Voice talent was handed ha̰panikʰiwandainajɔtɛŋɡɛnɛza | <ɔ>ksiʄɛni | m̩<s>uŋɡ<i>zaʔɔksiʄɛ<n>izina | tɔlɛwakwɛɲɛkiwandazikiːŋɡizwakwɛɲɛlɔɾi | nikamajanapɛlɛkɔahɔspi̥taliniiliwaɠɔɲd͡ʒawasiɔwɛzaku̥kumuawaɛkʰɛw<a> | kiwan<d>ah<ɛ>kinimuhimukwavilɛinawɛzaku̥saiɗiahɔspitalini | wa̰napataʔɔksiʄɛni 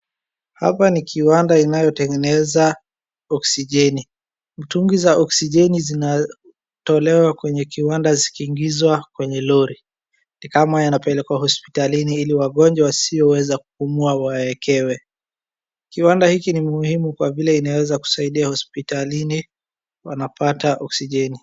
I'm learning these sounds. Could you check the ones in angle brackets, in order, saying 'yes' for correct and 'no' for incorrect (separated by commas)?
yes, no, yes, yes, no, yes, no